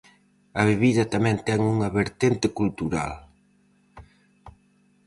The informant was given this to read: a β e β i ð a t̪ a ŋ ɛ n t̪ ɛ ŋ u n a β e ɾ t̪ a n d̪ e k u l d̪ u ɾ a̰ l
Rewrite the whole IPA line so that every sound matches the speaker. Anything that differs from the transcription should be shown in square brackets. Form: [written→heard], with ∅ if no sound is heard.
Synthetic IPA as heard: a β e β i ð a t̪ a [ŋ→m] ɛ n t̪ ɛ ŋ u [n→ŋ] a β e ɾ t̪ [a→e] n [d̪→t̪] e k u l [d̪→t̪] u ɾ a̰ l